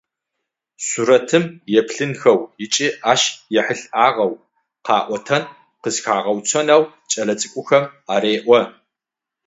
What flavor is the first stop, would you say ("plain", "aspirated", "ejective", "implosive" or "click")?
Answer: aspirated